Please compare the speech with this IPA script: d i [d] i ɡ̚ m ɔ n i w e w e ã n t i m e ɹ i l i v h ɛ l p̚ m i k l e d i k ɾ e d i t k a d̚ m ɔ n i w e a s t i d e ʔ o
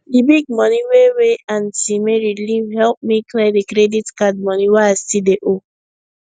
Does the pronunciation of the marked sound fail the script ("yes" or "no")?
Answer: yes